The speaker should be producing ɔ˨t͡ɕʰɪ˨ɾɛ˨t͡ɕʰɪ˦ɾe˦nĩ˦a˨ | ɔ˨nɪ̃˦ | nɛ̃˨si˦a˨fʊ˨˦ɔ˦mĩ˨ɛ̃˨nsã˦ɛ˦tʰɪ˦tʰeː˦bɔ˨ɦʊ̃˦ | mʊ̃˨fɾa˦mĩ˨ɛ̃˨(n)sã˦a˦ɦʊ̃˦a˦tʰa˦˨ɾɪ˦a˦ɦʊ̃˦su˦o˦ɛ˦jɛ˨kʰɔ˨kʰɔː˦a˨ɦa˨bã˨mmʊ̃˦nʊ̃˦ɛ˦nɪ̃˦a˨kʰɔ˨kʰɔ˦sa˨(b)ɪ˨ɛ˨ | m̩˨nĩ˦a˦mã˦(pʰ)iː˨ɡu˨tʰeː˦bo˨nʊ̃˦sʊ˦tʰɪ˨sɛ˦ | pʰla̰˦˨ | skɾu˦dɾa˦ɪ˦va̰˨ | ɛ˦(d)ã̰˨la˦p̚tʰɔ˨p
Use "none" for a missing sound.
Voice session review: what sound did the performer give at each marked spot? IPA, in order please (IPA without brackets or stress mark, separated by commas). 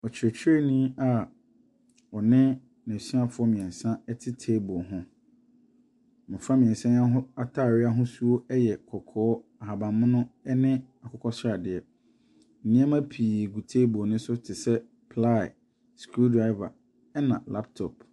n, d, pʰ, n